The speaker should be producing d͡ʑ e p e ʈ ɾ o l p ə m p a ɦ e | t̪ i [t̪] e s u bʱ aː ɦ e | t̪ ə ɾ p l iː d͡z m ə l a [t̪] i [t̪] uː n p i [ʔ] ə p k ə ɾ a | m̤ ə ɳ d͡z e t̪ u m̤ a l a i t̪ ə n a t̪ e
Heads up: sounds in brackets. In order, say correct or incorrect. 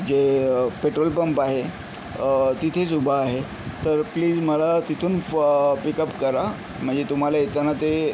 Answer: incorrect, correct, incorrect, incorrect

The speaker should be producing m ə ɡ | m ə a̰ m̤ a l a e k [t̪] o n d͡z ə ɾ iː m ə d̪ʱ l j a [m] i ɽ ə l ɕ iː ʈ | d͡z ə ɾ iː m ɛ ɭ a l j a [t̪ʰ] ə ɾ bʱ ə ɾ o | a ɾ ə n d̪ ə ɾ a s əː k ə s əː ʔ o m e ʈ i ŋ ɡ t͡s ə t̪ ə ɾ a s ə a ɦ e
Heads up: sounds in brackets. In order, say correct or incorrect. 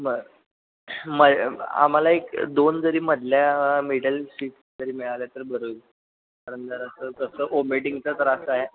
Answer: incorrect, correct, incorrect

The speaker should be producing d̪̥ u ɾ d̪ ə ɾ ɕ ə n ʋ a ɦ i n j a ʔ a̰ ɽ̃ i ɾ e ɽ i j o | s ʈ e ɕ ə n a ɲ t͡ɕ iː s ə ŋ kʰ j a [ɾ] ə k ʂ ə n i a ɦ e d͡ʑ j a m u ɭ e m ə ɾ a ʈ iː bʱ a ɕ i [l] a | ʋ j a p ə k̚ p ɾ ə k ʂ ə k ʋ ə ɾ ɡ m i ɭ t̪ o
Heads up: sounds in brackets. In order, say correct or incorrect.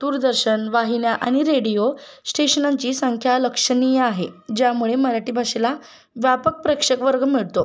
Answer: incorrect, correct

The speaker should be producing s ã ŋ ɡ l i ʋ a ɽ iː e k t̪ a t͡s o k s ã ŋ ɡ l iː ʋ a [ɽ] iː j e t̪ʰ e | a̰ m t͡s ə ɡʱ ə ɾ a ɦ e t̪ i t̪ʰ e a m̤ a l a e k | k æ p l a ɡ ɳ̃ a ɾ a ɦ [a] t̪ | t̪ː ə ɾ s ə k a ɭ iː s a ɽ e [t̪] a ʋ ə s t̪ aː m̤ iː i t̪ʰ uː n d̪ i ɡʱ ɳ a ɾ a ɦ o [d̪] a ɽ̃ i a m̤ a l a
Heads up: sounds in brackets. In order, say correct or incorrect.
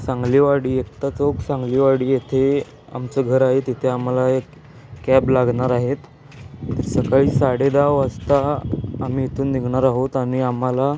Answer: correct, incorrect, incorrect, incorrect

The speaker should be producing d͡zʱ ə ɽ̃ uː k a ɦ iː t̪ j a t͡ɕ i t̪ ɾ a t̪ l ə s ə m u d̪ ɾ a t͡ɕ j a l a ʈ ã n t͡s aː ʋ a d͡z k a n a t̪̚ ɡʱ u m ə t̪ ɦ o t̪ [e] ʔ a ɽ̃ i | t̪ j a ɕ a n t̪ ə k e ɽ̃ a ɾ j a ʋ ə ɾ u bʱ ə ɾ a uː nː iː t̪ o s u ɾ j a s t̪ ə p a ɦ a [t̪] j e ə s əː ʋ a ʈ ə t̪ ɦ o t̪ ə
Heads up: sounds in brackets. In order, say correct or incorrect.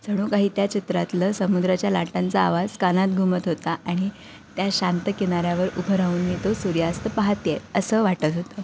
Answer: incorrect, correct

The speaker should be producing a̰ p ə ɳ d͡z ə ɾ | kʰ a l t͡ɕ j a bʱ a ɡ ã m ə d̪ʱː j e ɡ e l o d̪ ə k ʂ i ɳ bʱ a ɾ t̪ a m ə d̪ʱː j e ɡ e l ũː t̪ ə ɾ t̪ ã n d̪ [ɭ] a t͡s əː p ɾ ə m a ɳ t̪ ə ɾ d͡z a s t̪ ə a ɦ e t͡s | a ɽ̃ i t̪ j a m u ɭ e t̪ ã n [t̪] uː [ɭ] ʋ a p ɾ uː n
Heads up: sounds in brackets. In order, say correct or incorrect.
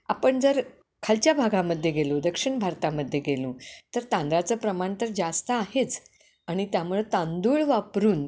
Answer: incorrect, incorrect, correct

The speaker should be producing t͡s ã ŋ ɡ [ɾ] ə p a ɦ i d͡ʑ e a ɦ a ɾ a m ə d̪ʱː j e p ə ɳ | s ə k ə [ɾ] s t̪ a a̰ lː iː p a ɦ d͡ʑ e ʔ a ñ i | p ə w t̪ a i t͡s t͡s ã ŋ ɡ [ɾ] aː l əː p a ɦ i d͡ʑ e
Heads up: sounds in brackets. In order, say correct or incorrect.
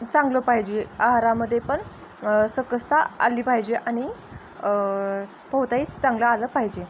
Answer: incorrect, incorrect, incorrect

